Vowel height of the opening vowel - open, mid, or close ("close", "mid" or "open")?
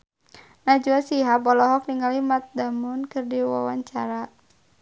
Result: open